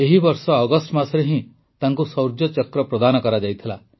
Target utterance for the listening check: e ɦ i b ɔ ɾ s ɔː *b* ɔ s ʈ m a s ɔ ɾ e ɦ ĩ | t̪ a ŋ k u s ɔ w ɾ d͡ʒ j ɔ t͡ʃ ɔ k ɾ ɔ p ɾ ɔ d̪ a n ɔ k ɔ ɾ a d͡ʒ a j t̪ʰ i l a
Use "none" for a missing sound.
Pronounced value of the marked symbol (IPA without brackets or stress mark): ɡ